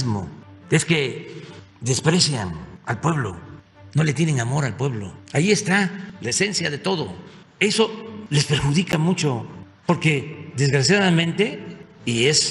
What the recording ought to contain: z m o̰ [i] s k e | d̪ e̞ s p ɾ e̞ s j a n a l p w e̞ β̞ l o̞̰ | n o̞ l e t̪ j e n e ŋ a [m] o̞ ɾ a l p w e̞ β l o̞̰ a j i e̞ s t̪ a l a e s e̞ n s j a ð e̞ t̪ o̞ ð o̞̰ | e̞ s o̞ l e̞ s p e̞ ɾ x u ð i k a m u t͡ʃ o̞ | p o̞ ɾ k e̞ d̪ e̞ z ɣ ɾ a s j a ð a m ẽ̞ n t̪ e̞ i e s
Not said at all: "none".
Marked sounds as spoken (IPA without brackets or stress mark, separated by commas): e, m